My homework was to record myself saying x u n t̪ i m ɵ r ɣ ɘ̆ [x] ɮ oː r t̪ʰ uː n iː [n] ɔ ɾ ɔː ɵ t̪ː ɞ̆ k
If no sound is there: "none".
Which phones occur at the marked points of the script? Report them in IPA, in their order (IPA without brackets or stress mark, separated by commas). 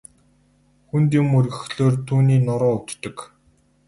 x, n